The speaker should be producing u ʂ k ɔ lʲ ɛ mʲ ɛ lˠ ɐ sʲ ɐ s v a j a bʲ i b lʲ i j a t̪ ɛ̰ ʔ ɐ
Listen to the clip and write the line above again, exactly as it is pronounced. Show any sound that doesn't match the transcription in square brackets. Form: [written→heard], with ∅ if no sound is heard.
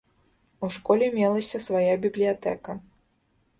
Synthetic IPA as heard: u ʂ k ɔ lʲ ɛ mʲ ɛ lˠ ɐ sʲ ɐ s v a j a bʲ i b lʲ i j a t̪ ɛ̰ [ʔ→k] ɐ